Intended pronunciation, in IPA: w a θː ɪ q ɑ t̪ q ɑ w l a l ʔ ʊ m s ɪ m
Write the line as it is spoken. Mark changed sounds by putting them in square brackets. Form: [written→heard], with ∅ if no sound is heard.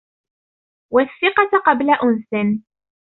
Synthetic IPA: w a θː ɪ q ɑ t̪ q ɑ [w→b] l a [l→∅] ʔ ʊ [m→n] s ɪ [m→n]

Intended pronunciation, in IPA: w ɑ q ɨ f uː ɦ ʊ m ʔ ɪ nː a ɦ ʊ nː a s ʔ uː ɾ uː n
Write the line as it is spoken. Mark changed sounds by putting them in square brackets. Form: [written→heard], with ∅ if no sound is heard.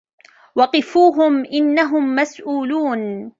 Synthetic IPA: w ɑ q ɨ f uː ɦ ʊ m ʔ ɪ nː a ɦ ʊ [nː→mː] a s ʔ uː [ɾ→l] uː n

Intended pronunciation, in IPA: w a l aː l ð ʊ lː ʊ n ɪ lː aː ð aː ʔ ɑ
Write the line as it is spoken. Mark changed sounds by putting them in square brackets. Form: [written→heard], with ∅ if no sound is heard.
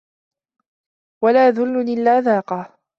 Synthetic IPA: w a l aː [l→∅] ð ʊ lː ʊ n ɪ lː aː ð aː [ʔ→q] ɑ

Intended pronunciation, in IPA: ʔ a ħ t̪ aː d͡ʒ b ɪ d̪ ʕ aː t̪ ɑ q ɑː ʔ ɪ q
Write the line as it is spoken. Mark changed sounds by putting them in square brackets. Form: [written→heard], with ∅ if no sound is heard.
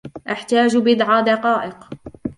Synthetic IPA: ʔ a ħ t̪ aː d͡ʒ b ɪ d̪ ʕ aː [t̪→d̪] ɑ q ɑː ʔ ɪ q

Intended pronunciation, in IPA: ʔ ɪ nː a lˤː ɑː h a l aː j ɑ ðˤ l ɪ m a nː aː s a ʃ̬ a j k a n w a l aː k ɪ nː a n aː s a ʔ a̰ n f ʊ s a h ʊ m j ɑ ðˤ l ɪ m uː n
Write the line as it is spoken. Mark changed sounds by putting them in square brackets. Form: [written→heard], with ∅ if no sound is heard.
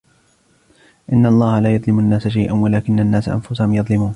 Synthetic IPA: ʔ ɪ nː a lˤː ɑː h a l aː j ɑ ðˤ l ɪ m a nː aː s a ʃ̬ a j [k→ʔ] a n w a l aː k ɪ nː a [n→nː] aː s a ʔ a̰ n f ʊ s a h ʊ m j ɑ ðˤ l ɪ m uː n

